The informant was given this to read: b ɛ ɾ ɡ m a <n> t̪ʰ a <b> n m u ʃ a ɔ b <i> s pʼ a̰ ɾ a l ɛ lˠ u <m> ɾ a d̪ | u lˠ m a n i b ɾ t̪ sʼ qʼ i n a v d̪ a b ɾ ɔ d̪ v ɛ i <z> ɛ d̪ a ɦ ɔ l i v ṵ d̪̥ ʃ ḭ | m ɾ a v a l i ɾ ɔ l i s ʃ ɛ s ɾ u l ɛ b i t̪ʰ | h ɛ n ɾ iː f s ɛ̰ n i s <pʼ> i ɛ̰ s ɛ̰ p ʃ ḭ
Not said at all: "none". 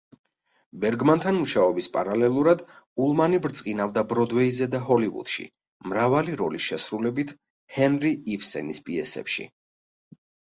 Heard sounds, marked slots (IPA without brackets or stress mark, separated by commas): n, none, i, none, z, pʼ